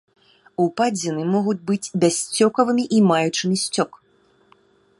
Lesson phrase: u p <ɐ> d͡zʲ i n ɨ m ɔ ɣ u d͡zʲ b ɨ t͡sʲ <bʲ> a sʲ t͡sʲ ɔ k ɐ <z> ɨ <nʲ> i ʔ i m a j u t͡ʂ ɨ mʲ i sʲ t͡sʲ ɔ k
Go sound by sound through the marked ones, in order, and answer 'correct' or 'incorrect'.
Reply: incorrect, correct, incorrect, incorrect

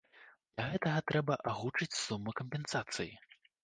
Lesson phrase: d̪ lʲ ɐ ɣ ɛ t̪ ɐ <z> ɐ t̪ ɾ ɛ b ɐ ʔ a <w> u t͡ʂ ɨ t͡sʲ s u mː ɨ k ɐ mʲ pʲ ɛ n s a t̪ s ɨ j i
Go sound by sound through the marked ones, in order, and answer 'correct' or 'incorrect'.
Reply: incorrect, incorrect

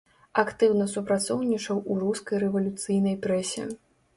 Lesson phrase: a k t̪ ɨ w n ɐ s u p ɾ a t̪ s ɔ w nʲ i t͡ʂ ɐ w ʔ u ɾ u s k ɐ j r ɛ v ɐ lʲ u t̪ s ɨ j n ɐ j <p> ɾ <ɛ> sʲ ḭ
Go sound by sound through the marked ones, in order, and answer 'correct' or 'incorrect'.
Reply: correct, correct

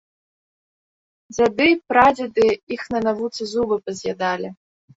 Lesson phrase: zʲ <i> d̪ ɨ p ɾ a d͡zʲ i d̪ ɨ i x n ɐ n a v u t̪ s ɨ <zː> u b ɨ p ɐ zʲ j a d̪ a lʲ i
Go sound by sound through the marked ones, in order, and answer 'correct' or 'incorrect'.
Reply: incorrect, incorrect

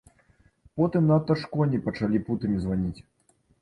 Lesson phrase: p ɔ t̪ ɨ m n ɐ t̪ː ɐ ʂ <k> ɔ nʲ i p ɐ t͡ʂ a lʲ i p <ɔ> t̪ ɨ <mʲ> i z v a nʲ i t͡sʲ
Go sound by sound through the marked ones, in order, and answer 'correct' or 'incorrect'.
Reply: correct, incorrect, correct

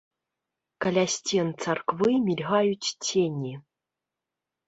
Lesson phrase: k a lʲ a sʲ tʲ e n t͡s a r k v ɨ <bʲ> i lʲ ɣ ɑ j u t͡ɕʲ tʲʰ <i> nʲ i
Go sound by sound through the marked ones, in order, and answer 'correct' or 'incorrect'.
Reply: incorrect, incorrect

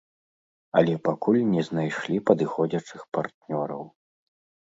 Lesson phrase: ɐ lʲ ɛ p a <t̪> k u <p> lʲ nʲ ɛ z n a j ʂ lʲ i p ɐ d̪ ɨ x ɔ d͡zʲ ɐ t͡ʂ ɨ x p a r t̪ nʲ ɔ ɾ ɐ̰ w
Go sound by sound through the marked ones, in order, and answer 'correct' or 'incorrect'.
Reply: incorrect, incorrect

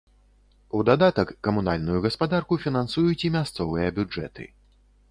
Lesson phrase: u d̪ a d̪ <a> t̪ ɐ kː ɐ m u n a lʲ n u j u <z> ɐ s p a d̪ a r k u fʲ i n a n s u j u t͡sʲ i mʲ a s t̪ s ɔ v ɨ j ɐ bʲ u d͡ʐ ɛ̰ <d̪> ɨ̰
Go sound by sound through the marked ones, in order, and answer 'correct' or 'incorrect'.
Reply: correct, incorrect, incorrect

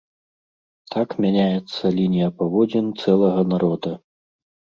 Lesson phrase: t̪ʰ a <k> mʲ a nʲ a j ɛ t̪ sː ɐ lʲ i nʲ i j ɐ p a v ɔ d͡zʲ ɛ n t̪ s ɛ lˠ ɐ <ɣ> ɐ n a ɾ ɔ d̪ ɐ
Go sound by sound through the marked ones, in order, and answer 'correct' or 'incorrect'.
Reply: correct, correct

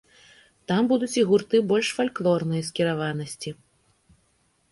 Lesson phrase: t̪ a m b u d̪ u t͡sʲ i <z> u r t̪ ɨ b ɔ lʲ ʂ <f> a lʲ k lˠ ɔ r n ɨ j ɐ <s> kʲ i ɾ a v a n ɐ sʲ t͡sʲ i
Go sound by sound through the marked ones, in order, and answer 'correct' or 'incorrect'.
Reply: incorrect, correct, correct

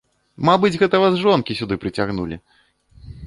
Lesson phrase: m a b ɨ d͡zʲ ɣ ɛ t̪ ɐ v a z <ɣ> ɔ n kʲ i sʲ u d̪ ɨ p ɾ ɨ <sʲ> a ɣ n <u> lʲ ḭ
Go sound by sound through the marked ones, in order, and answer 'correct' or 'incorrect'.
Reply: incorrect, incorrect, correct

